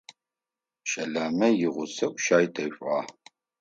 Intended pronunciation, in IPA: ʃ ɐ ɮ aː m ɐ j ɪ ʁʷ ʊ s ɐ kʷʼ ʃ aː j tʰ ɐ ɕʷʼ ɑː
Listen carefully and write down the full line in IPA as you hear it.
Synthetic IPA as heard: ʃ ɐ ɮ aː m ɐ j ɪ ʁʷ ʊ s ɐ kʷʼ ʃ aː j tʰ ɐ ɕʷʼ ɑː